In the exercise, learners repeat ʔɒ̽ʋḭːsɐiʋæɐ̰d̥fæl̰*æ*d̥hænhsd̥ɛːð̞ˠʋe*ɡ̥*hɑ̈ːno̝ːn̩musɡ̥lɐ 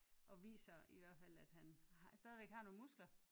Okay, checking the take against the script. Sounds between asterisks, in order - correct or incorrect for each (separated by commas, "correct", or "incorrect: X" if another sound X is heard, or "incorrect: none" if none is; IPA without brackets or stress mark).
correct, correct